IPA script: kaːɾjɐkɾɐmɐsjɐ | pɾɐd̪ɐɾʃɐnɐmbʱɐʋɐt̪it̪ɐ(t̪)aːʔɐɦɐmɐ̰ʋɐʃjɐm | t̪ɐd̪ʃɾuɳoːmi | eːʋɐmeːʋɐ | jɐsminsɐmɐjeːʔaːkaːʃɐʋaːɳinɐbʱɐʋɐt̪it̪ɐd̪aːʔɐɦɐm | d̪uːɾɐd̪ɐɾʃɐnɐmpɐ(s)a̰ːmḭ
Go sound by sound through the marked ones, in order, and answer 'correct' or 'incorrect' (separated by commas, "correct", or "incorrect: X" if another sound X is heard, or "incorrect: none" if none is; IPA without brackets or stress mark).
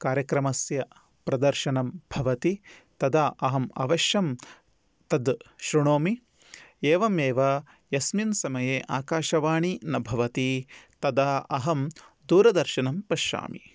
incorrect: d̪, incorrect: ʃ